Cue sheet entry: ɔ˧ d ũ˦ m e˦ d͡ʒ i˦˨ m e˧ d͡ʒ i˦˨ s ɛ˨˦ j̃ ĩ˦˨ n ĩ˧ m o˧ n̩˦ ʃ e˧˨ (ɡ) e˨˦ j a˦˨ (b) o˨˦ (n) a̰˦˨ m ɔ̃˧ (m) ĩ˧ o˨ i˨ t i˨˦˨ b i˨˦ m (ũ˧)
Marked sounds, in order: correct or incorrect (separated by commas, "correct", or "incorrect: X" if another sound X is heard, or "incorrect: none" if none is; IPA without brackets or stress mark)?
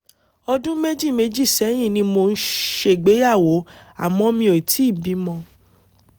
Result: incorrect: ɡ͡b, incorrect: w, incorrect: none, correct, incorrect: ɔ̃˧